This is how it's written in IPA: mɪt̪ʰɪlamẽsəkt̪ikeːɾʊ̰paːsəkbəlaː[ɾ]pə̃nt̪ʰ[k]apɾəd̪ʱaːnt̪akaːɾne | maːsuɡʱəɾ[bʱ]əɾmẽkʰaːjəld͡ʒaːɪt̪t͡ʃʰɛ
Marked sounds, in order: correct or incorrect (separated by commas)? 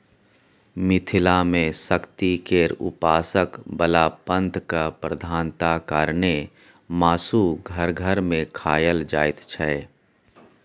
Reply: incorrect, correct, incorrect